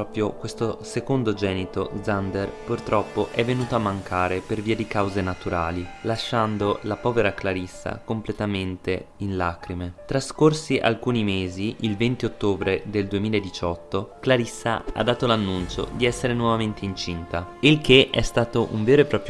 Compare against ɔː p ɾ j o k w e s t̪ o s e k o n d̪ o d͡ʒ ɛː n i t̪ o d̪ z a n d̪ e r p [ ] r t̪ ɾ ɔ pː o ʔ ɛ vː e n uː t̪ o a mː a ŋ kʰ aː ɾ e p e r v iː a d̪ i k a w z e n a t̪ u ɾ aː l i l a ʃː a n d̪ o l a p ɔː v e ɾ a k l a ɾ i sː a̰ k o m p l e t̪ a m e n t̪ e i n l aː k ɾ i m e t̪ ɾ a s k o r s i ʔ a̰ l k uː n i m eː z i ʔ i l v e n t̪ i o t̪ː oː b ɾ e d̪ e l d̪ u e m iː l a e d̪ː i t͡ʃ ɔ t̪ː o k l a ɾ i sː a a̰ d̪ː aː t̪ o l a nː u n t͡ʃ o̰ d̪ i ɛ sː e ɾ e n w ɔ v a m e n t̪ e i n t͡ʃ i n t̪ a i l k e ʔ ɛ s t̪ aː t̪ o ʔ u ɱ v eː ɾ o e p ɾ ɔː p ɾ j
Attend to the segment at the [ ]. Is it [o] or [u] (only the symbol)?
u